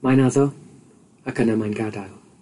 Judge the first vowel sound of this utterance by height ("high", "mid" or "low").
low